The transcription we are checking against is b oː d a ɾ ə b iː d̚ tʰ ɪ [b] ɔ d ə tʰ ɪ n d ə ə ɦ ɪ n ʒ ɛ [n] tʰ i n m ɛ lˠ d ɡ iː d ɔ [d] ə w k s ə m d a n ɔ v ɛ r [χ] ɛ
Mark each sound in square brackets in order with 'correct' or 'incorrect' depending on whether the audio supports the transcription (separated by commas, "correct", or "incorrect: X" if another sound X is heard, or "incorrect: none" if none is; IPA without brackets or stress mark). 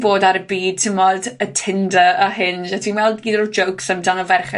incorrect: m, incorrect: none, incorrect: d͡ʒ, correct